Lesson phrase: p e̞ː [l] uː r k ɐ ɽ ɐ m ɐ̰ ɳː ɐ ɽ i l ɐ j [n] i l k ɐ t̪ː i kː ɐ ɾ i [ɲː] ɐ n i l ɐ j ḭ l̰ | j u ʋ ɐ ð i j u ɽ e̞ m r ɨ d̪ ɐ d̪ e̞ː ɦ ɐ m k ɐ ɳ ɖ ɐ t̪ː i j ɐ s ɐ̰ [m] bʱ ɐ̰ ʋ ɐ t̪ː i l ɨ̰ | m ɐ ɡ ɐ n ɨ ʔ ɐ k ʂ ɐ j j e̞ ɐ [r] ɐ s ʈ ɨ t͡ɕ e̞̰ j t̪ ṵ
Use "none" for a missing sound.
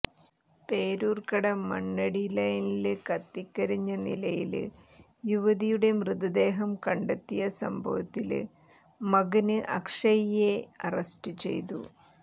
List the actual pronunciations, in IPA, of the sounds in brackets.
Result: ɾ, n, ɲː, m, r

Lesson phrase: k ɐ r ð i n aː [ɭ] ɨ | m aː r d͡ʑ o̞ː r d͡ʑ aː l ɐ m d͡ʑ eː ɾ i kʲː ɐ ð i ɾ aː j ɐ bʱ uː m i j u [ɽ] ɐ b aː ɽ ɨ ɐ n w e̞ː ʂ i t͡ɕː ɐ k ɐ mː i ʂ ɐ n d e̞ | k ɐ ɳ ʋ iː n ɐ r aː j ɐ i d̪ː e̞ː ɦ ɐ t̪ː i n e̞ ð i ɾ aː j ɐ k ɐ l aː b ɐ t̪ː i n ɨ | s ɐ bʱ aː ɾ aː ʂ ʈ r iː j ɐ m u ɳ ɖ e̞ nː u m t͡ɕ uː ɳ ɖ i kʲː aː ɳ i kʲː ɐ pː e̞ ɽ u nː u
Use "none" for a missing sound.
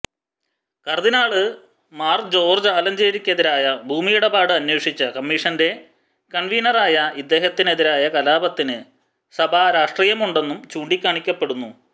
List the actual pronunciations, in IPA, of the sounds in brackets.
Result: ɭ, ɽ

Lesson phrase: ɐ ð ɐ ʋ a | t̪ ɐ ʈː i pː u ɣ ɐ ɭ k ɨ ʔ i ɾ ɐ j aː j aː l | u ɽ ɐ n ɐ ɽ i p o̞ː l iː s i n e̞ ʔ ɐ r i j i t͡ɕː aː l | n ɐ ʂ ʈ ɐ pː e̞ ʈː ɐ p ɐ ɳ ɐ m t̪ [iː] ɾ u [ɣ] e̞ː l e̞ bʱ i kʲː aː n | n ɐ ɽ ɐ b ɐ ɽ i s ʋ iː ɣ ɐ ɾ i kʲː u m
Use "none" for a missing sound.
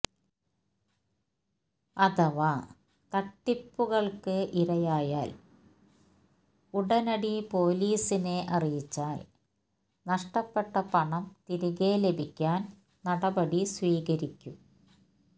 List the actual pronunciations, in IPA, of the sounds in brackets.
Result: i, ɣ

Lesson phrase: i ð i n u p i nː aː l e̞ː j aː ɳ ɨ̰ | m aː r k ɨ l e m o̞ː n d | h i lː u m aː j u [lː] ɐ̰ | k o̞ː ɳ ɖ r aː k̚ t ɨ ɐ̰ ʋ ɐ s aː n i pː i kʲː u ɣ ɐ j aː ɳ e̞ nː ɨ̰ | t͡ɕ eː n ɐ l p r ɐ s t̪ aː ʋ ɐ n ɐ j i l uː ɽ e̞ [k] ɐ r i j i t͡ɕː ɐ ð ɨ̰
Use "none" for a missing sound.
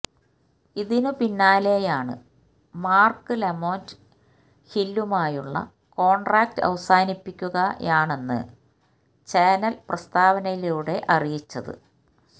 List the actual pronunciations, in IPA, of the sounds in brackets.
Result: ɭː, ʔ

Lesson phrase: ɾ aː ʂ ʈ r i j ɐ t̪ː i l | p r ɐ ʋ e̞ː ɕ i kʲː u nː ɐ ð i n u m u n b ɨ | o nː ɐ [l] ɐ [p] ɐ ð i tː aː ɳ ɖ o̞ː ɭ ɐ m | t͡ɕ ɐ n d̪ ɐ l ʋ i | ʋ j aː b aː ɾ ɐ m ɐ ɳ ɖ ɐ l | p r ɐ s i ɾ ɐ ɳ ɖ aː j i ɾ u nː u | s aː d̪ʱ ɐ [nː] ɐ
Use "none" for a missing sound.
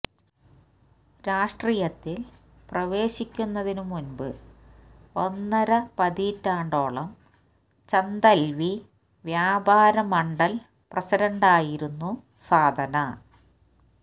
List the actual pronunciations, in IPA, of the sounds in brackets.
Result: ɾ, p, n

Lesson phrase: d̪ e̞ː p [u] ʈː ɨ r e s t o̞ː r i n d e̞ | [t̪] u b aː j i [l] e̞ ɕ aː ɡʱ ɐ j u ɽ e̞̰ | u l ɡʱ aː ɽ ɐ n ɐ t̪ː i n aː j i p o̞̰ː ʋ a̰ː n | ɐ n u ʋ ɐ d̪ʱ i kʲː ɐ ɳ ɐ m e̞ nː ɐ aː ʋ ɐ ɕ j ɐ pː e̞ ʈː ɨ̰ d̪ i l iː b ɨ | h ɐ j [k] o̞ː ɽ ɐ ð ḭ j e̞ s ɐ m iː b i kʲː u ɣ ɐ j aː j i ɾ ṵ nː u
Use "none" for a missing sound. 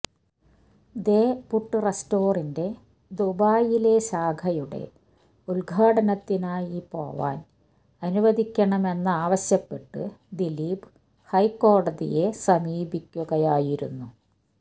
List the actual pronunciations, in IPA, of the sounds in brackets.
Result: u, d̪, l, k

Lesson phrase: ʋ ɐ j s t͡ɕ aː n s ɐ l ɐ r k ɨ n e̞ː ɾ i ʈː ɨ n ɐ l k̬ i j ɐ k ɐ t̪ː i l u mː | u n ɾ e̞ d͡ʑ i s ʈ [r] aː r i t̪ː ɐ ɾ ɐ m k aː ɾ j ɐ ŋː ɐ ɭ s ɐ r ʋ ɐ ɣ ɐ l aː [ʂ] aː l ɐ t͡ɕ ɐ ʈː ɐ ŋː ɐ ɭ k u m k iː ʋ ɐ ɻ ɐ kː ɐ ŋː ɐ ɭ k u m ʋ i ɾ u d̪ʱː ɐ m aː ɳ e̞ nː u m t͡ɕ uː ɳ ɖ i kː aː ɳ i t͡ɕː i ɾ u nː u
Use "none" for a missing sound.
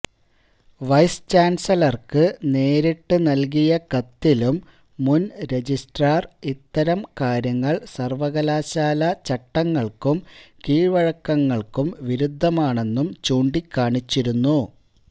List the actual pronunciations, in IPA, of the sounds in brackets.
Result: r, ɕ

